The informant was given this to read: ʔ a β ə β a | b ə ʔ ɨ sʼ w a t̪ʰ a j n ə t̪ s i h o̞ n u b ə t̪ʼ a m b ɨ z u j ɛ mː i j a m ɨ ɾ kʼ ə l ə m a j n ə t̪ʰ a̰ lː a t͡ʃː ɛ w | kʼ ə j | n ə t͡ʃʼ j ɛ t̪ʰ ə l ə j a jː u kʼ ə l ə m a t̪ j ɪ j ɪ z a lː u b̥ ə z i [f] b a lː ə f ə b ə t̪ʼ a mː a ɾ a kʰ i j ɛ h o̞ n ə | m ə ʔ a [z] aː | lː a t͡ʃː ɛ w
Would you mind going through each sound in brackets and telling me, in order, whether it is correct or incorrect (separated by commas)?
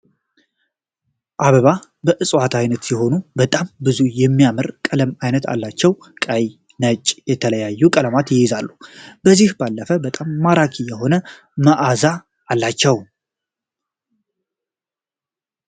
incorrect, correct